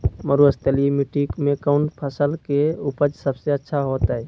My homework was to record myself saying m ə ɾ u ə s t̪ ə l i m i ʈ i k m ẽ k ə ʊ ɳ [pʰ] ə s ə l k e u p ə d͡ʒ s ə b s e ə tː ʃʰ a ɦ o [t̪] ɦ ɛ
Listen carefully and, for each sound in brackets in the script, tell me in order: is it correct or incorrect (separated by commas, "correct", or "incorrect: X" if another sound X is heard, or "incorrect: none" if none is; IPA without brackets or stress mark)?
correct, correct